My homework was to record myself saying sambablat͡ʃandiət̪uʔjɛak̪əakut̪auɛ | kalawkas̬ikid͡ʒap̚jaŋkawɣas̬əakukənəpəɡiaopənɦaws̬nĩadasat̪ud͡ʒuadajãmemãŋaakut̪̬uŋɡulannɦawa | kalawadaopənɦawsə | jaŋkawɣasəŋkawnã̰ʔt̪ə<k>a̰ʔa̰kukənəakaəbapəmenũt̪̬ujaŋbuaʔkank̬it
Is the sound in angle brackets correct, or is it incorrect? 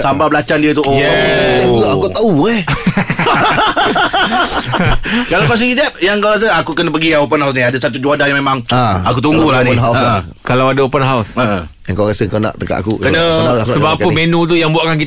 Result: correct